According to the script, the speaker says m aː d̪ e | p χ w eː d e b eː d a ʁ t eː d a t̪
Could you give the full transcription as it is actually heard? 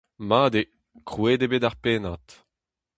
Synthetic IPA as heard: m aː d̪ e | k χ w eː d e b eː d a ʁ p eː n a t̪